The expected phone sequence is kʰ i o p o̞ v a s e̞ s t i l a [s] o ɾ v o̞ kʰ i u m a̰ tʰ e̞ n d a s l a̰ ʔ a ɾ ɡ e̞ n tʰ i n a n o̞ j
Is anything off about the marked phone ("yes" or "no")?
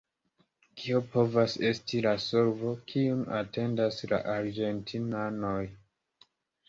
no